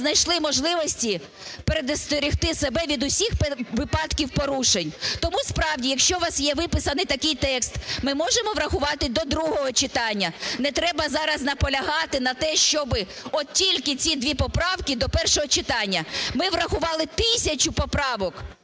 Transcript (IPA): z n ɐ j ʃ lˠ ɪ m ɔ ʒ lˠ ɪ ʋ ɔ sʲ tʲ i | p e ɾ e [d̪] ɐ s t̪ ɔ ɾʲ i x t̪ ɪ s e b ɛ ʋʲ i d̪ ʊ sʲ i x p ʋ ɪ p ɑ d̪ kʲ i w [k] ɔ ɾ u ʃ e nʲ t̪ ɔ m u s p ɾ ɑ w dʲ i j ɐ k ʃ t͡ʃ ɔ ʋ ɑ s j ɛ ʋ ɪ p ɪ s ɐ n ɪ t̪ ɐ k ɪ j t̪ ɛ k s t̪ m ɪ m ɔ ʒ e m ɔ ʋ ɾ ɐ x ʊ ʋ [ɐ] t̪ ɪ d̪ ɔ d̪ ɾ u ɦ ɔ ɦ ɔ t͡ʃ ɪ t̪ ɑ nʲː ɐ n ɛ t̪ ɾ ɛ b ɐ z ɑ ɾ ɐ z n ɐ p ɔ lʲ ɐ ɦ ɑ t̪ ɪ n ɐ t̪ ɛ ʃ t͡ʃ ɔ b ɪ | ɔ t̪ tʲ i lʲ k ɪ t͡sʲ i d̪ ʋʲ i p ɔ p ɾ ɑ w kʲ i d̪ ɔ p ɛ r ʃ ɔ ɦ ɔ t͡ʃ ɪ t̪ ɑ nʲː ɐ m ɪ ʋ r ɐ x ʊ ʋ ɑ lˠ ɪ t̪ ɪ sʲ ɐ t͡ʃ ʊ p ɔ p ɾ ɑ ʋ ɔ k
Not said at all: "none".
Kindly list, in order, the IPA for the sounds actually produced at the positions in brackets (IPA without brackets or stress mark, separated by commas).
d̪, p, ɑ